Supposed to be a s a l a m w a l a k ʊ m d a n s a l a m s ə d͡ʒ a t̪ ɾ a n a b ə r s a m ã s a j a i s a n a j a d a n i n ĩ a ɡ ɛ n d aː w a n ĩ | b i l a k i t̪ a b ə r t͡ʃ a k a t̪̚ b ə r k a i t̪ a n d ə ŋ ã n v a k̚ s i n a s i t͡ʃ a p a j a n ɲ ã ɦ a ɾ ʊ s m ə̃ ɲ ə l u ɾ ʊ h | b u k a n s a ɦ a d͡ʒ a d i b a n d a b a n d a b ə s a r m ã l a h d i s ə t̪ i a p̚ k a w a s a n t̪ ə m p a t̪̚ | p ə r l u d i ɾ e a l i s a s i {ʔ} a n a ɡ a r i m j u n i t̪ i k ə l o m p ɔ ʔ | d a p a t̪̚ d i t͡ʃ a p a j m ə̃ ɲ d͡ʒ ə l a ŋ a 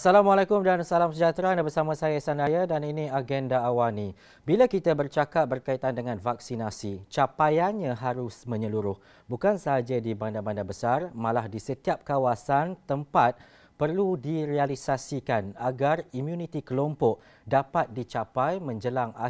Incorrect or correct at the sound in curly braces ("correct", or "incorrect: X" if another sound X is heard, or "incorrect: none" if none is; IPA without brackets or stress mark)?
incorrect: k